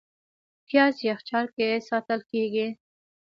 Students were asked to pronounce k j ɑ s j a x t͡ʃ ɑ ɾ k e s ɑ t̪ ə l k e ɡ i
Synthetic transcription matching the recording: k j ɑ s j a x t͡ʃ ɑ ɾ k e s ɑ t̪ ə l k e ɡ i